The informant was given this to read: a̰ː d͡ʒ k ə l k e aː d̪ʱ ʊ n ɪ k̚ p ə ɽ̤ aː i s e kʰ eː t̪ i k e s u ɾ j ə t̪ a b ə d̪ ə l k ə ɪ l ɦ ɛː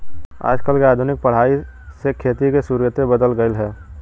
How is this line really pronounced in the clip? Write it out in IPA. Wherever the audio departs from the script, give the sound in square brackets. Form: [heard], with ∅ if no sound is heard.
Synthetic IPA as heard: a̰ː d͡ʒ k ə l k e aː d̪ʱ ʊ n ɪ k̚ p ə ɽ̤ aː i s e kʰ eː t̪ i k e s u ɾ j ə t̪ [e] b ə d̪ ə l [ɡ] ə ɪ l ɦ ɛː